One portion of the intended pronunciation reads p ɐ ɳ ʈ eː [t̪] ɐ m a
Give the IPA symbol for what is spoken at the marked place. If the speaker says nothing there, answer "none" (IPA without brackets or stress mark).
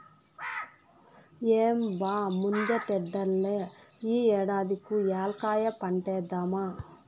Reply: d̪